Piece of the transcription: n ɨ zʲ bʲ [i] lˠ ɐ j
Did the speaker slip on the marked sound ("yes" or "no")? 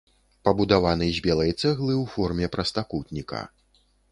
yes